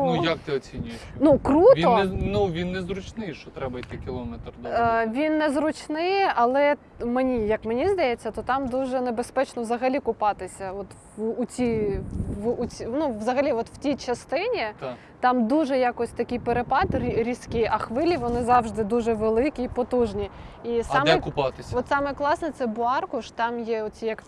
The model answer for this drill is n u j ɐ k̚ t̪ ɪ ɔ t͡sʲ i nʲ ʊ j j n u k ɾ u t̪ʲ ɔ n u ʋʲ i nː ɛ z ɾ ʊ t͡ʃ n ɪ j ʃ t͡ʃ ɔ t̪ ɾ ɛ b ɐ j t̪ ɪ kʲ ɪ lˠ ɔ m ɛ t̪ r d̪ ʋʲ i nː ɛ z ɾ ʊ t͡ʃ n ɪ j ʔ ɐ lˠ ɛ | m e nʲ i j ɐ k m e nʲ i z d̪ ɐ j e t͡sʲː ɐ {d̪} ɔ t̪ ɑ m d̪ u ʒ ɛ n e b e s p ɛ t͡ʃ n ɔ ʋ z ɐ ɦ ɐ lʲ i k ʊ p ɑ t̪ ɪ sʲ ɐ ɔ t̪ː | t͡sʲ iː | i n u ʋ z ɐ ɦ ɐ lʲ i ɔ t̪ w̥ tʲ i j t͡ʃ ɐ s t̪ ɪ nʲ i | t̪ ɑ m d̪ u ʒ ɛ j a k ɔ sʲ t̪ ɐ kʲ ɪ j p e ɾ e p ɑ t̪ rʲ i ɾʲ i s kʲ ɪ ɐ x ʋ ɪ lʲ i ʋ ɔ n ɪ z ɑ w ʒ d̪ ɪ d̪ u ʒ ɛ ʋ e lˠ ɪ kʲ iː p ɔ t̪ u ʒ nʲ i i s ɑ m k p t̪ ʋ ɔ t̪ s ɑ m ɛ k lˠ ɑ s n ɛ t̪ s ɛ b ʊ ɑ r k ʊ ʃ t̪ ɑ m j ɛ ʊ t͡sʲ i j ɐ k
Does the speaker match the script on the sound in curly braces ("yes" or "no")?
no